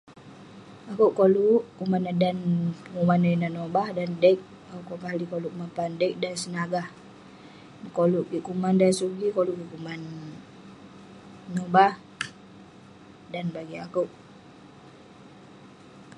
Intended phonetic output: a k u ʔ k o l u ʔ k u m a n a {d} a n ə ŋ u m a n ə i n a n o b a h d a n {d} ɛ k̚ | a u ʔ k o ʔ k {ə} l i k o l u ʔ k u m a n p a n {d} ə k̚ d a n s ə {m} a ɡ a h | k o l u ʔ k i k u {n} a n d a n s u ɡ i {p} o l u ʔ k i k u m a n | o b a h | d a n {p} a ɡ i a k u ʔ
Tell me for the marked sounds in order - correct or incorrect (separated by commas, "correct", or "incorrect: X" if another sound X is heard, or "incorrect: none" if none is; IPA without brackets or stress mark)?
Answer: correct, correct, incorrect: a, correct, incorrect: n, incorrect: m, incorrect: k, incorrect: b